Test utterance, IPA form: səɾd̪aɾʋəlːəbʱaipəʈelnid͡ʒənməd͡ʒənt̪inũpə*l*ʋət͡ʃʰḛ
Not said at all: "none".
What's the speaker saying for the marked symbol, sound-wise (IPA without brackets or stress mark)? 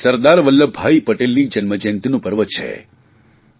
ɾ